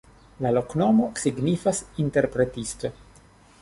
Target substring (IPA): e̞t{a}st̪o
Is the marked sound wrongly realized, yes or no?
yes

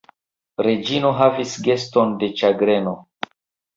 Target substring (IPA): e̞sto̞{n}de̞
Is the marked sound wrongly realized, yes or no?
no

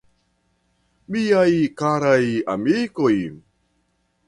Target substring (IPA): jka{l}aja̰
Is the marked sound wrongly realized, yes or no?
yes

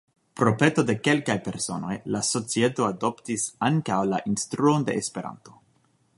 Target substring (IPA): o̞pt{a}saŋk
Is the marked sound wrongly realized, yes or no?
yes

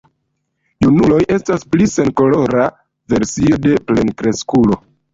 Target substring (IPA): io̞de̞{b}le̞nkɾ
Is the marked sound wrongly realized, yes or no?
yes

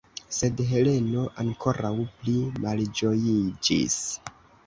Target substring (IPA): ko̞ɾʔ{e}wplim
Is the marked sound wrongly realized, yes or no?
yes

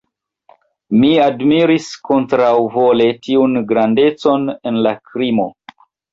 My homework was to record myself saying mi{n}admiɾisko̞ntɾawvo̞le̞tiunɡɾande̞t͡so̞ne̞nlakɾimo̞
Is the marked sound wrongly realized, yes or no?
yes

